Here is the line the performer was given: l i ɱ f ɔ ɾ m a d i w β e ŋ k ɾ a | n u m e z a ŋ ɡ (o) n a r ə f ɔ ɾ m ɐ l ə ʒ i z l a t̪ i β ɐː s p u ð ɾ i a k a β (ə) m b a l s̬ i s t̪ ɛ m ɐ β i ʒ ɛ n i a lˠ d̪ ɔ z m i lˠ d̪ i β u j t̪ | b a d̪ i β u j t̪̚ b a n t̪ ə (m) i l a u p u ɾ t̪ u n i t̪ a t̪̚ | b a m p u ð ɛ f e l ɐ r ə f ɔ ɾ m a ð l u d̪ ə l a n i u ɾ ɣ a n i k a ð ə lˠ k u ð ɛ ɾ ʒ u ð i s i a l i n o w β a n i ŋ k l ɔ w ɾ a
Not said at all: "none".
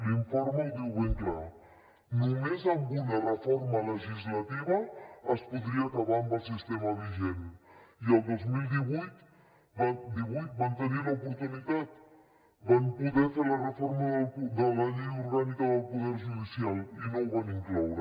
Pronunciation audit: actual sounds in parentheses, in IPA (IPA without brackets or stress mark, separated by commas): u, a, n